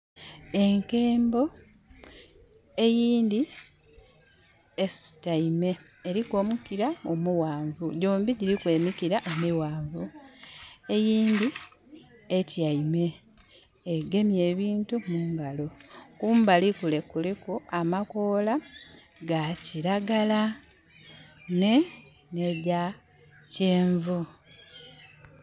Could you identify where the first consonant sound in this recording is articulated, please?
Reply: velar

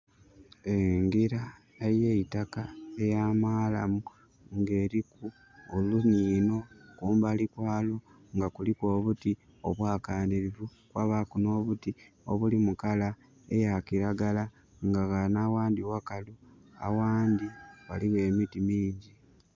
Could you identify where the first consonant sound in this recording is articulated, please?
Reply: velar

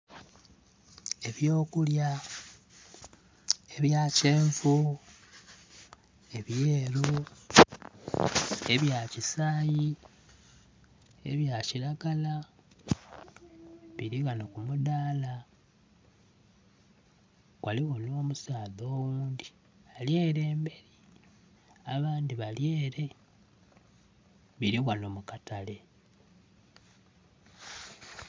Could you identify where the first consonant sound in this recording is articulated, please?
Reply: labial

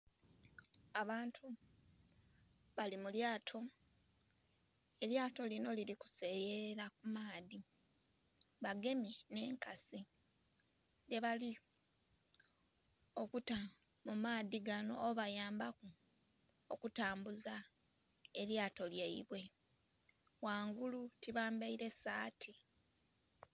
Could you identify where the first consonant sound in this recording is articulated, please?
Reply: labial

